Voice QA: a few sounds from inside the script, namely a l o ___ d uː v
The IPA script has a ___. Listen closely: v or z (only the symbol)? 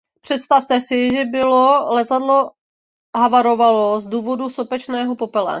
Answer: z